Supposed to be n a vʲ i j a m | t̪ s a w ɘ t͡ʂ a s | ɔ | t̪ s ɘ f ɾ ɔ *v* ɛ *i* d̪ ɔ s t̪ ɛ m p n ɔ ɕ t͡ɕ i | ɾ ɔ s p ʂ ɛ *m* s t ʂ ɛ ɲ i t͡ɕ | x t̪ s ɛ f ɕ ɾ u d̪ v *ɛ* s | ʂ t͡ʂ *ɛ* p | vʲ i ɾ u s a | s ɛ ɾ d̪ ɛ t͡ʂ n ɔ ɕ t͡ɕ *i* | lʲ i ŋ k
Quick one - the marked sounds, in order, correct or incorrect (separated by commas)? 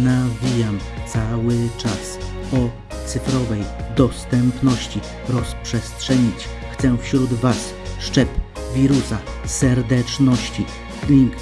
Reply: correct, incorrect, incorrect, incorrect, correct, correct